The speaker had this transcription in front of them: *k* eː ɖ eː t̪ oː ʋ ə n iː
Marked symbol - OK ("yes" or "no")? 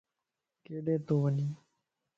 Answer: yes